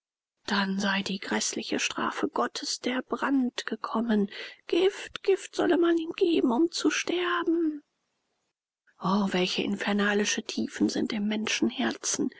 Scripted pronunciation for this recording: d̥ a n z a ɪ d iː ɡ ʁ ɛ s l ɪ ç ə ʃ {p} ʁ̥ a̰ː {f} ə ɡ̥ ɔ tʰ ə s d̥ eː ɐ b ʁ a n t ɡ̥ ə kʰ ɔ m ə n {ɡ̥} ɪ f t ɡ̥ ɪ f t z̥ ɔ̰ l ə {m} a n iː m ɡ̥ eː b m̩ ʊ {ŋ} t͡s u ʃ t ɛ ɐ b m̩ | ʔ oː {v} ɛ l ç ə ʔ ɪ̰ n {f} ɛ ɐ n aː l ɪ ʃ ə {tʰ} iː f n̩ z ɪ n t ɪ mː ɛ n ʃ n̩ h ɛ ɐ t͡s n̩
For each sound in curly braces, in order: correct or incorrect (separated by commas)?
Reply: incorrect, correct, correct, correct, incorrect, correct, correct, correct